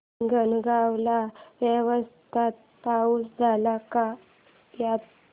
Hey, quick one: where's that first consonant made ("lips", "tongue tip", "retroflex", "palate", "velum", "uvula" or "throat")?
velum